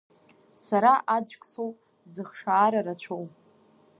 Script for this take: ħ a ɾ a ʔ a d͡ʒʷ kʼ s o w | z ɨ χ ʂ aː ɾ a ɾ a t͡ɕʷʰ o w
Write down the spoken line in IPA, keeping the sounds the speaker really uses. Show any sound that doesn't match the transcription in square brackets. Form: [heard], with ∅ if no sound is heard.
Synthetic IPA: [s] a ɾ a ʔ a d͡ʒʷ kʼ s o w | z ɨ χ ʂ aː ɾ a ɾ a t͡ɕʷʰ o w